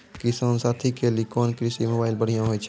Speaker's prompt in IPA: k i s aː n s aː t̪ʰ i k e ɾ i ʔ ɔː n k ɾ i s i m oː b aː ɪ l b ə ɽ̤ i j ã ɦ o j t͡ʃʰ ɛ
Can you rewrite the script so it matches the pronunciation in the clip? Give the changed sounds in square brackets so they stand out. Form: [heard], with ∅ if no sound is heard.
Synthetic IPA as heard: k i s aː n s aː t̪ʰ i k e [l] i [k] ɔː n k ɾ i s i m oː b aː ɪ l b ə ɽ̤ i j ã ɦ o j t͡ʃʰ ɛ